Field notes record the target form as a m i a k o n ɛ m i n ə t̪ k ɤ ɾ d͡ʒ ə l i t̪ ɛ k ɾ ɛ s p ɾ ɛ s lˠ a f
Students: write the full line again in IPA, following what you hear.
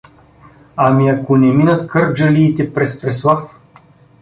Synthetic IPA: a m i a k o n ɛ m i n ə t̪ k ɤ ɾ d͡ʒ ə l iː t̪ ɛ p ɾ ɛ s p ɾ ɛ s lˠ a f